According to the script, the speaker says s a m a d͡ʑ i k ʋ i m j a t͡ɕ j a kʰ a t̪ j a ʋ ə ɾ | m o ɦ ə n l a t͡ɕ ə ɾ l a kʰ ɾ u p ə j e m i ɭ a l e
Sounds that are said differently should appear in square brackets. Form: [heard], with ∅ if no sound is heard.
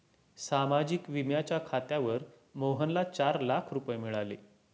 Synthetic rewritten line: s a m a d͡ʑ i k ʋ i m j a t͡ɕ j a kʰ a t̪ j a ʋ ə ɾ | m o ɦ ə n l a t͡ɕ [a] ɾ l a kʰ ɾ u p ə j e m i ɭ a l e